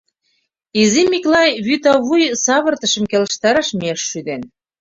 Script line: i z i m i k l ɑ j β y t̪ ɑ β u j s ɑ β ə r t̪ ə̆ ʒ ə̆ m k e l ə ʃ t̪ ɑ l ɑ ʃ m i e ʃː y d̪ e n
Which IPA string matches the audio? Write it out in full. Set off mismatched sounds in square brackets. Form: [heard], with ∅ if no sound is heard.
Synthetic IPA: i z i m i k l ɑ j β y t̪ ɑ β u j s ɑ β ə r t̪ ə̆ [ʃ] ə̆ m k e l ə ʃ t̪ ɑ [ɾ] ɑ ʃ m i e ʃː y d̪ e n